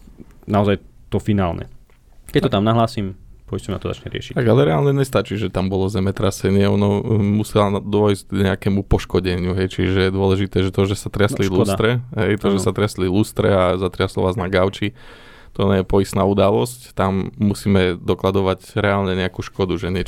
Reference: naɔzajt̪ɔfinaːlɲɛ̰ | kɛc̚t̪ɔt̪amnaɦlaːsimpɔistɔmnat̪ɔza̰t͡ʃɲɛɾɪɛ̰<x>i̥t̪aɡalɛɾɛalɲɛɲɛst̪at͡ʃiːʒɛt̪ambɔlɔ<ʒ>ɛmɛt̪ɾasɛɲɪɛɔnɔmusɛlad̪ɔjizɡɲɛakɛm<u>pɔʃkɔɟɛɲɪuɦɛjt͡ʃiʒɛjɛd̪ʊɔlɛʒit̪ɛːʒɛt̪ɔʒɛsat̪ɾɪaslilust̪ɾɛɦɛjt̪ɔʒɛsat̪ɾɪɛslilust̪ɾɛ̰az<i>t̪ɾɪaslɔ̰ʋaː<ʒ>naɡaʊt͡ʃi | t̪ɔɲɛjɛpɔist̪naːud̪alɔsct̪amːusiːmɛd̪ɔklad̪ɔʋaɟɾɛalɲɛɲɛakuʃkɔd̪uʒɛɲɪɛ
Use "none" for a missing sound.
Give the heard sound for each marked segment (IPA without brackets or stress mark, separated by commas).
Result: ʃ, z, u, a, z